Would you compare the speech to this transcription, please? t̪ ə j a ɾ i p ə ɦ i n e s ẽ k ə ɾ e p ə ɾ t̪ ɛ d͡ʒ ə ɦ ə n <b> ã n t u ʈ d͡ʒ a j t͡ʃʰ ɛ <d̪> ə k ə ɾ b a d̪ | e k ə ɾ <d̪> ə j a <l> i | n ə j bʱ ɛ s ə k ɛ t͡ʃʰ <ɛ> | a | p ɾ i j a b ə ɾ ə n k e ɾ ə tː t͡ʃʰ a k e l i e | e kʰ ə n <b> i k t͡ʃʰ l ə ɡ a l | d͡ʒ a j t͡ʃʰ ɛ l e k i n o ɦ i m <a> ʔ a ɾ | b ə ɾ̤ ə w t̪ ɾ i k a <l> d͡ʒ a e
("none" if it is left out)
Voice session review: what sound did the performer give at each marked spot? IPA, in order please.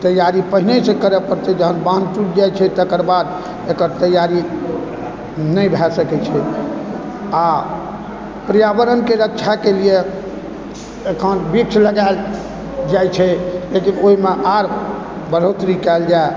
b, t̪, t̪, ɾ, ɛ, b, e, l

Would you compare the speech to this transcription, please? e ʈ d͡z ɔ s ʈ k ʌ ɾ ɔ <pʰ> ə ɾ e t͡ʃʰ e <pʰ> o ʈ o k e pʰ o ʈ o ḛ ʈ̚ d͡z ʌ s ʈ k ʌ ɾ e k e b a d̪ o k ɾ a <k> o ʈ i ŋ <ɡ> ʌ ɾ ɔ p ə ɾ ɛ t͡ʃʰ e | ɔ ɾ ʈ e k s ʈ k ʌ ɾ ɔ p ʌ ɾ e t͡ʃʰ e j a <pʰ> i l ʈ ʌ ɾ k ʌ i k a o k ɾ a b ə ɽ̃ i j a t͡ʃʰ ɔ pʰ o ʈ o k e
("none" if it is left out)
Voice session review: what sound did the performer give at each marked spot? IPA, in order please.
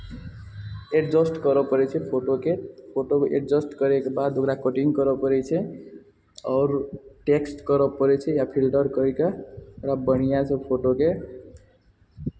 p, pʰ, k, k, pʰ

